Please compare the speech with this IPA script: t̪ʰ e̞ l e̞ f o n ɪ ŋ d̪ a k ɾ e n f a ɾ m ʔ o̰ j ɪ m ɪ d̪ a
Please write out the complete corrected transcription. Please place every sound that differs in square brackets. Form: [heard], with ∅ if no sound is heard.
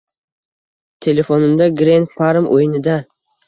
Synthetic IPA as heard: t̪ʰ e̞ l e̞ f o n ɪ [m] d̪ a [ɡ] ɾ e n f a ɾ m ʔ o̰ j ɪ [n] ɪ d̪ a